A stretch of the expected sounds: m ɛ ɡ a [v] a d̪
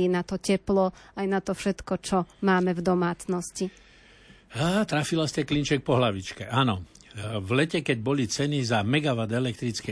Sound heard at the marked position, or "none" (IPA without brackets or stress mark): ʋ